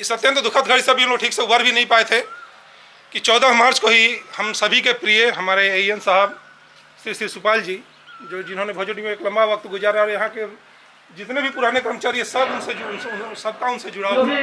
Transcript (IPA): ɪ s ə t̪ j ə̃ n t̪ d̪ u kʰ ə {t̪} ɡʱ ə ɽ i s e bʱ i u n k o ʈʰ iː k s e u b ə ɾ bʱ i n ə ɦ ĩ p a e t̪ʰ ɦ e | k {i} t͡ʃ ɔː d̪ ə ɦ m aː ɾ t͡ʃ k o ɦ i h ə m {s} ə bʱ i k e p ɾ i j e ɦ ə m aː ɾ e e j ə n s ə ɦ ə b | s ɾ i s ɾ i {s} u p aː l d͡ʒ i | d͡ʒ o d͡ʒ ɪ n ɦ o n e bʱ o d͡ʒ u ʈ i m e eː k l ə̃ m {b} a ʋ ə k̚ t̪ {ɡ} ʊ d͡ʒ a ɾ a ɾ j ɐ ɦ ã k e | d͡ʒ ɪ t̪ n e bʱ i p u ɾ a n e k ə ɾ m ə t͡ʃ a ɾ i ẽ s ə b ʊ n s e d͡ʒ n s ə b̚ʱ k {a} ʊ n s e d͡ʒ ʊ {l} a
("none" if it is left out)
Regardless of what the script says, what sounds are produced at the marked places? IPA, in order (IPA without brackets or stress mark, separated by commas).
t̪, i, s, s, b, ɡ, a, ɽ